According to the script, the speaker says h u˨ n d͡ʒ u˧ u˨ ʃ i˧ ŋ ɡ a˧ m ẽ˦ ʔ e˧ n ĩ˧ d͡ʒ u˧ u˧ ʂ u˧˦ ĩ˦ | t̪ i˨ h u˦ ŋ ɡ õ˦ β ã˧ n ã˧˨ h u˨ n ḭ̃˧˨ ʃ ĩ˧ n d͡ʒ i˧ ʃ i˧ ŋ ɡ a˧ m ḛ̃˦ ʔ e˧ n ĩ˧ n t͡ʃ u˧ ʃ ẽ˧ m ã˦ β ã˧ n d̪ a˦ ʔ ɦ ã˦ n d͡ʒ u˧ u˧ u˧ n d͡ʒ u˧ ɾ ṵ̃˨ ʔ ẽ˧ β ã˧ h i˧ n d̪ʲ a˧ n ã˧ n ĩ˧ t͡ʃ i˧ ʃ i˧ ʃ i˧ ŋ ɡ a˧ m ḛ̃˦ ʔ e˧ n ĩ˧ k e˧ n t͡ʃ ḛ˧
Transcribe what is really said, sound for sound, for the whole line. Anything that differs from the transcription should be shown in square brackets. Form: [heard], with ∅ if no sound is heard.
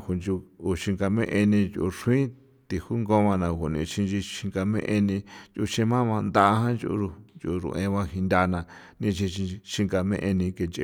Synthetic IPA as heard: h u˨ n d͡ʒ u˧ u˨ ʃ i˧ ŋ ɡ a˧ m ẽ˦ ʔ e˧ n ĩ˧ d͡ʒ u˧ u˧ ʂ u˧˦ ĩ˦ | t̪ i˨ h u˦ ŋ ɡ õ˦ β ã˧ n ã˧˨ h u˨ n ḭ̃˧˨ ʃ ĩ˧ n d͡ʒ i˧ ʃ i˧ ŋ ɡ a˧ m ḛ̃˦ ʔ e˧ n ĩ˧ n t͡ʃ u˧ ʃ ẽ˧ m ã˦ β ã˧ n d̪ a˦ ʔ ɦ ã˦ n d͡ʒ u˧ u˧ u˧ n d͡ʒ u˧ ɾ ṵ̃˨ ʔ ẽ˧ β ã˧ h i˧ n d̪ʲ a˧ n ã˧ n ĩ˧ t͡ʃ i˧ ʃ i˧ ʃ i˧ ŋ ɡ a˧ m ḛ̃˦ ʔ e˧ n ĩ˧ k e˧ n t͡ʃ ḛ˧